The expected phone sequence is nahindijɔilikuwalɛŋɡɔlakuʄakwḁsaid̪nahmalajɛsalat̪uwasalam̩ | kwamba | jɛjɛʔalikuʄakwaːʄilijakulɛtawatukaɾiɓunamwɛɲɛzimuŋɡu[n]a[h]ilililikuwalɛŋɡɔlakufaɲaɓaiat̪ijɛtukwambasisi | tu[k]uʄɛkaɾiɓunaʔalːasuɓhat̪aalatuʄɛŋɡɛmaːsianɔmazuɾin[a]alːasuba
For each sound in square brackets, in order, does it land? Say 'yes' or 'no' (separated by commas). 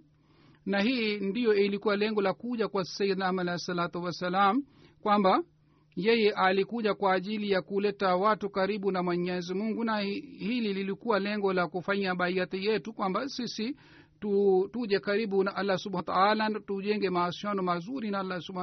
yes, yes, no, yes